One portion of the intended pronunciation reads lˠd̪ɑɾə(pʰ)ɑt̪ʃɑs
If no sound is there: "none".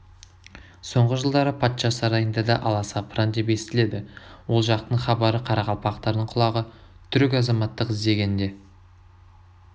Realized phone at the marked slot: pʰ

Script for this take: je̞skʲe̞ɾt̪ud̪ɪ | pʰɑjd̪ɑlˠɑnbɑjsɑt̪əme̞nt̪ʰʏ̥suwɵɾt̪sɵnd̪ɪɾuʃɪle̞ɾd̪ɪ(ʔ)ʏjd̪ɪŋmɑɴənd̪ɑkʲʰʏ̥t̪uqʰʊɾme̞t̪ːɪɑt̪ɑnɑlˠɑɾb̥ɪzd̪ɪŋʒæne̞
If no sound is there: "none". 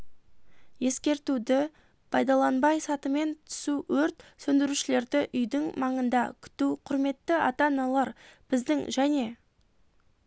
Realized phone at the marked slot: ʔ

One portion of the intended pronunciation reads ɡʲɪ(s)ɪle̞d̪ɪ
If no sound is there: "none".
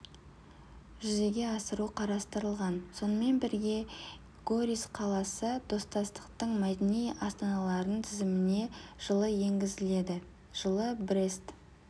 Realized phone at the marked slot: z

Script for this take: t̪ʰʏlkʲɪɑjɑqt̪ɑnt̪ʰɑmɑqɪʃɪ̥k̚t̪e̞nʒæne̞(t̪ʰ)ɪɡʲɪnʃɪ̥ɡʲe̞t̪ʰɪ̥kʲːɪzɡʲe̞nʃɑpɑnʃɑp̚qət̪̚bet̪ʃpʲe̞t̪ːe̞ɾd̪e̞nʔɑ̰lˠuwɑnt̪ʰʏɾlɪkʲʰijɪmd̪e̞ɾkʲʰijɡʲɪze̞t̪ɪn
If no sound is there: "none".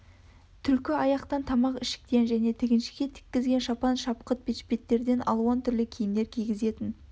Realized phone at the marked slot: t̪ʰ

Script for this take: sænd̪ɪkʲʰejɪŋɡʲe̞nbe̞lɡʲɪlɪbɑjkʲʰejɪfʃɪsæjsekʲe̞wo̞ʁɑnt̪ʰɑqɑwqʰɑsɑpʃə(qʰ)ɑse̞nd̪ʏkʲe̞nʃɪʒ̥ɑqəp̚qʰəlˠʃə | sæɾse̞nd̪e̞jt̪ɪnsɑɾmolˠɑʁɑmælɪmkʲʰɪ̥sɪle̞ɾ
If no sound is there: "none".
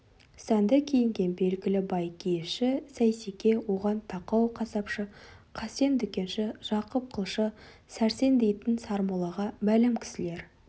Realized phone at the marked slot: qʰ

